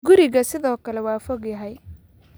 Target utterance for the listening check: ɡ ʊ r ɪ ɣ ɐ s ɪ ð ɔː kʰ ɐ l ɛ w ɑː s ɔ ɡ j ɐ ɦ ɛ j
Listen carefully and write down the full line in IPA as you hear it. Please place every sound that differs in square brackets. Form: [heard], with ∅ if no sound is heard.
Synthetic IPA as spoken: ɡ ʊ [ɾ] ɪ ɣ ɐ s ɪ ð ɔː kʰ ɐ l ɛ w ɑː [f] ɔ ɡ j ɐ ɦ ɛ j